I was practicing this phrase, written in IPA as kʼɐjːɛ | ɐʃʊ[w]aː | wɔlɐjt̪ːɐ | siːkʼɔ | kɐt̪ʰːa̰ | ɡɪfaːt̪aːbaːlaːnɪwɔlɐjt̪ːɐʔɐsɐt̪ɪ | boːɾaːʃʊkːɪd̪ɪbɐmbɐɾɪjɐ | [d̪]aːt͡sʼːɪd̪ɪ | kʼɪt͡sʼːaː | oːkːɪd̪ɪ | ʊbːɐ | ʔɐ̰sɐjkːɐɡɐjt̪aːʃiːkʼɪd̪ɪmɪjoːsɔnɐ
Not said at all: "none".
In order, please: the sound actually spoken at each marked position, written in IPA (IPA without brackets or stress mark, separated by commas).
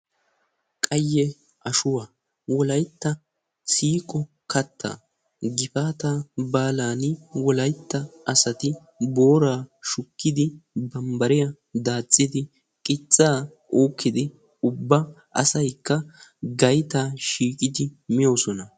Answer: w, d̪